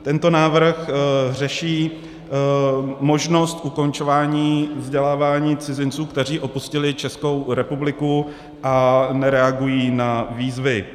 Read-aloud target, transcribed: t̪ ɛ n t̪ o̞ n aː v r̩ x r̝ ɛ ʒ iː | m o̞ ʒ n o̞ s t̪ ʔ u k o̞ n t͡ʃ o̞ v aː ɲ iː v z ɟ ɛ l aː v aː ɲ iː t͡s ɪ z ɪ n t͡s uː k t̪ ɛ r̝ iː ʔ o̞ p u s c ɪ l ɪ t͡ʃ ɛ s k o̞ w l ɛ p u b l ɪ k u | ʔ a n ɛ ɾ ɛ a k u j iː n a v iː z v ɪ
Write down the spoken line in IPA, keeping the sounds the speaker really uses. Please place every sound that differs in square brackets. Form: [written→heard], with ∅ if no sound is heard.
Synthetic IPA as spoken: t̪ ɛ n t̪ o̞ n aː v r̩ x r̝ ɛ [ʒ→ʃ] iː | m o̞ ʒ n o̞ s t̪ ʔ u k o̞ n t͡ʃ o̞ v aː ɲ iː v z ɟ ɛ l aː v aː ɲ iː t͡s ɪ z ɪ n t͡s uː k t̪ ɛ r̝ iː ʔ o̞ p u s c ɪ l ɪ t͡ʃ ɛ s k o̞ w [l→ɾ] ɛ p u b l ɪ k u | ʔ a n ɛ ɾ ɛ a [k→ɡ] u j iː n a v iː z v ɪ